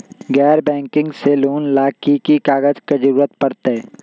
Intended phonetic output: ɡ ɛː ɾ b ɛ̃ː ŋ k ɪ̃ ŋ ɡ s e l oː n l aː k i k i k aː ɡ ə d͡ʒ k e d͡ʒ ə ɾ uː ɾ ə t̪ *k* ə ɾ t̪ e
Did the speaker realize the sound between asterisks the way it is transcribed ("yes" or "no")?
no